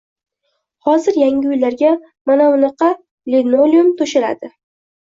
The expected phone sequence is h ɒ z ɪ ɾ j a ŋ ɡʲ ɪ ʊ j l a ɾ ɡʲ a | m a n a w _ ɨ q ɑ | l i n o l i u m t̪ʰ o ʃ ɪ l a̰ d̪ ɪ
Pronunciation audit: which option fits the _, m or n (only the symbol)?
n